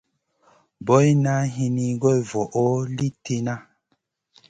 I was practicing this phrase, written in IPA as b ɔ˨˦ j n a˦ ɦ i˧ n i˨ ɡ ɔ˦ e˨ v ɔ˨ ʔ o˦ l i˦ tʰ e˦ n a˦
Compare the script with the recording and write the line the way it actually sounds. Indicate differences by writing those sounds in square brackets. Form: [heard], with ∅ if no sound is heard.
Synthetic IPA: b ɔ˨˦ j n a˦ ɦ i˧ n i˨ ɡ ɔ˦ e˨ v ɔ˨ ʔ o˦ l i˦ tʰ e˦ n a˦